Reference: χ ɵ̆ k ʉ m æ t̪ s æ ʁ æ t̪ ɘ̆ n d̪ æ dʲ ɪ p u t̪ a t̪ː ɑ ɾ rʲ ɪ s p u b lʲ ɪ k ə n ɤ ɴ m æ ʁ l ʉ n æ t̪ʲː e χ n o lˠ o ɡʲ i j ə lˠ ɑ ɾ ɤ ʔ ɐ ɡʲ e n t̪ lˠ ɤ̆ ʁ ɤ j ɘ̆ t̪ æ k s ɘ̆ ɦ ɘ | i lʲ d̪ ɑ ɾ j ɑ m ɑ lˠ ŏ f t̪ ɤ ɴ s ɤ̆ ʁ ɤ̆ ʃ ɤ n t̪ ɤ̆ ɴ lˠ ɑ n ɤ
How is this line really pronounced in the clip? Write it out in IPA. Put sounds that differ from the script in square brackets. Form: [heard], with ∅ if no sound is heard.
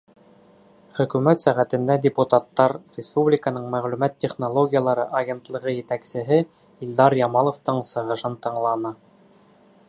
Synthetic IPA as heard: χ ɵ̆ k ʉ m æ t̪ s æ ʁ æ t̪ ɘ̆ n d̪ æ dʲ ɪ p u t̪ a t̪ː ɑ ɾ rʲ ɪ s p u b lʲ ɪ k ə n ɤ ɴ m æ ʁ l ʉ [m] æ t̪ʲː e χ n o lˠ o ɡʲ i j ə lˠ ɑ ɾ ɤ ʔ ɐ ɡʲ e n t̪ lˠ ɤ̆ ʁ ɤ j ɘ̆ t̪ æ k s ɘ̆ ɦ ɘ | i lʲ d̪ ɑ ɾ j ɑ m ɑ lˠ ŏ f t̪ ɤ ɴ s ɤ̆ ʁ ɤ̆ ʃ ɤ n t̪ ɤ̆ ɴ lˠ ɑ n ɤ